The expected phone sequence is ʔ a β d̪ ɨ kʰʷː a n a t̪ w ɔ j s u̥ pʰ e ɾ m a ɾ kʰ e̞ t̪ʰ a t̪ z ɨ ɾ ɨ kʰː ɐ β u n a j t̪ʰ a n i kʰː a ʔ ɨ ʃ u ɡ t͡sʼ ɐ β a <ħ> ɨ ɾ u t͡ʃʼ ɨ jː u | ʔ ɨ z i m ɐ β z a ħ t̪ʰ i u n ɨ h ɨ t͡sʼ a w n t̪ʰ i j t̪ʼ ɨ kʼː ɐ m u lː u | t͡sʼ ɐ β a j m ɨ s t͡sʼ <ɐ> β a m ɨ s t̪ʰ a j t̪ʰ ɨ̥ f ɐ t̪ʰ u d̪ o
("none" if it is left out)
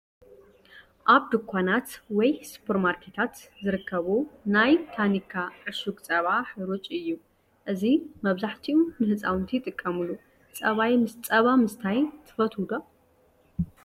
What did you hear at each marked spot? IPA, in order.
ħ, ɐ

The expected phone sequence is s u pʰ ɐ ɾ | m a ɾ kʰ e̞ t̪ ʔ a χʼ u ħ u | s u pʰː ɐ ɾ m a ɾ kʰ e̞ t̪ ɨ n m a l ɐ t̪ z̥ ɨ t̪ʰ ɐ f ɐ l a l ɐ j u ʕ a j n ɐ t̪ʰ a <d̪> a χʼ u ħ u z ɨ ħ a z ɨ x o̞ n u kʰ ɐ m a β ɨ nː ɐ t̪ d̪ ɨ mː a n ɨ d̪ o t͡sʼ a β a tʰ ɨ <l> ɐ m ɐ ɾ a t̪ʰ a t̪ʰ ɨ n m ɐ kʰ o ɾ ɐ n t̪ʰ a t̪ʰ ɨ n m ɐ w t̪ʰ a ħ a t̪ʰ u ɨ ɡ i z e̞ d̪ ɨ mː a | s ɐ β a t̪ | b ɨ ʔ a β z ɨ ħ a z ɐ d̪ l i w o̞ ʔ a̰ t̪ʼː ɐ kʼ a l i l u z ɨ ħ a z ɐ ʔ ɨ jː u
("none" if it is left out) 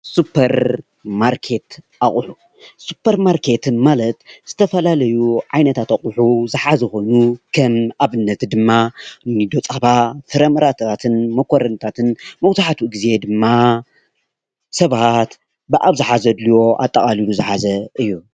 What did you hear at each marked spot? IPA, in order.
t̪, ɾ

